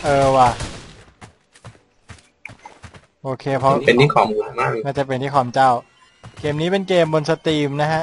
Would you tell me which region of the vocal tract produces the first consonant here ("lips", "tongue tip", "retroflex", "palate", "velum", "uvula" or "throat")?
throat